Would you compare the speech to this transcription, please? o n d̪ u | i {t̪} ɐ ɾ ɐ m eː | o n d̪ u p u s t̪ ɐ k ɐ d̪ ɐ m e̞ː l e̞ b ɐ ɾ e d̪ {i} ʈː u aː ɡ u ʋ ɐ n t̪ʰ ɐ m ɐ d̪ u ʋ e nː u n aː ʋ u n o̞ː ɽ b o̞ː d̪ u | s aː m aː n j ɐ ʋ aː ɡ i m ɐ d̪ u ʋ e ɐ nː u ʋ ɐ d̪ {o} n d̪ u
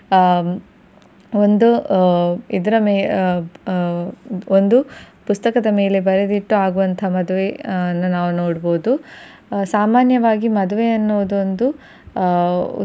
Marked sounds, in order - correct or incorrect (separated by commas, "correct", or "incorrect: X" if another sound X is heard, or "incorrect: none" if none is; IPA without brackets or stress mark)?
incorrect: d̪, correct, correct